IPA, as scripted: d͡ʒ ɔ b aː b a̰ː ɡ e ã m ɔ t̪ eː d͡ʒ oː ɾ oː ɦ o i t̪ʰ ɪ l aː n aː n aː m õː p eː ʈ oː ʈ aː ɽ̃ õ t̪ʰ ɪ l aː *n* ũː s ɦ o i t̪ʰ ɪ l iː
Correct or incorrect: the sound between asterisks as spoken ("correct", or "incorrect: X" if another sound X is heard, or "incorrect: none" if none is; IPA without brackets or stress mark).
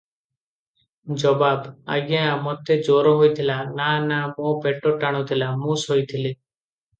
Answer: incorrect: m